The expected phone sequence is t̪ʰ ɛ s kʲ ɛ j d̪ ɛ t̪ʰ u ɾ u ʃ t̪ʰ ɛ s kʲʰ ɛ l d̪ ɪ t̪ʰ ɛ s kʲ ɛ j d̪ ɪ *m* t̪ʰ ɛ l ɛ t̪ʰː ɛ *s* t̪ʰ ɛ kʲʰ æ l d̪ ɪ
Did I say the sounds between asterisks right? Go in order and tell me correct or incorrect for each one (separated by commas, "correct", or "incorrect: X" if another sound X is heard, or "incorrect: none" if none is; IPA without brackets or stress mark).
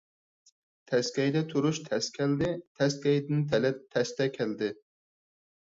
incorrect: n, correct